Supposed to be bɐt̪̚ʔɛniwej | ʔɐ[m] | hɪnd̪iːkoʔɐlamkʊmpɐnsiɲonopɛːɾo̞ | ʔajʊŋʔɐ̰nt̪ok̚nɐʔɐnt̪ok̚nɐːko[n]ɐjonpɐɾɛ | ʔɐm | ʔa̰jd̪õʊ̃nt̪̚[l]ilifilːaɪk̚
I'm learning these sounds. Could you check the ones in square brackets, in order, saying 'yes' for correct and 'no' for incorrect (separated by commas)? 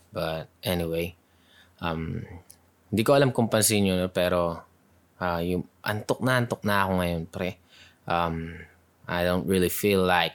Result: yes, no, no